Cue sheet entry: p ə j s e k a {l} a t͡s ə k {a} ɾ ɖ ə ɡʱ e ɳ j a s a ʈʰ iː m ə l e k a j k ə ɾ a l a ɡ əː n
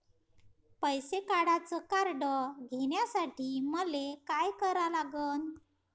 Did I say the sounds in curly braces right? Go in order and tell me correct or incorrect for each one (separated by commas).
incorrect, correct